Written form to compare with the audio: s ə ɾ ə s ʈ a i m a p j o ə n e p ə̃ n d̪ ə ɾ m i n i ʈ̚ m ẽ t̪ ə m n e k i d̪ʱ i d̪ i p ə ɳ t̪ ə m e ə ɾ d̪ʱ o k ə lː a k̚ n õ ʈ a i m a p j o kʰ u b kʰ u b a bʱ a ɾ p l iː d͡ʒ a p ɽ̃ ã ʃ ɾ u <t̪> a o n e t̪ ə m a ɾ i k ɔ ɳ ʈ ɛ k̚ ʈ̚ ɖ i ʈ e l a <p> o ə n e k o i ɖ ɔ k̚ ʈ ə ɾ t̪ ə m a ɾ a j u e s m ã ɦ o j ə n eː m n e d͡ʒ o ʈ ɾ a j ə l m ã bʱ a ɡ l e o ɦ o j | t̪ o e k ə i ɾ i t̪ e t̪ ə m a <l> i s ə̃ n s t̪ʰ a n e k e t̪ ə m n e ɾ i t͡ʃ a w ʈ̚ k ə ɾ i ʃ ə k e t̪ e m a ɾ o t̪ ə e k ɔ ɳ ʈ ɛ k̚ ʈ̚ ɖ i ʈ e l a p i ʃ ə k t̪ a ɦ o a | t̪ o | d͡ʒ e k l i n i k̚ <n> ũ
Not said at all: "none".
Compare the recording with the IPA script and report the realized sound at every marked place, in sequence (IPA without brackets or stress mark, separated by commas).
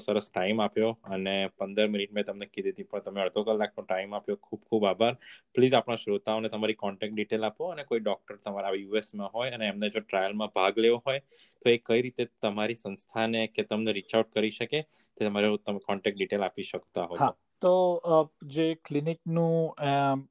t̪, p, ɾ, n